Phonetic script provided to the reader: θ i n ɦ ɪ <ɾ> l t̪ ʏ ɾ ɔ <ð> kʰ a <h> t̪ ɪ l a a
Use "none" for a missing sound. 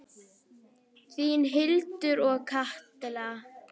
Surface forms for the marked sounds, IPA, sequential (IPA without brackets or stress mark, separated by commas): none, ɣ, h